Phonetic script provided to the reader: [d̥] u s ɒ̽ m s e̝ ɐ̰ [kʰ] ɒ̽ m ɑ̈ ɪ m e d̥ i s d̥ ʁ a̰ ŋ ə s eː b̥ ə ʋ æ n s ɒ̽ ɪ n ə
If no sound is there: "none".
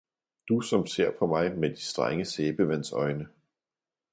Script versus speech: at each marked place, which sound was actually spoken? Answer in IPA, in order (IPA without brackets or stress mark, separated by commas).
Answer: d̥, pʰ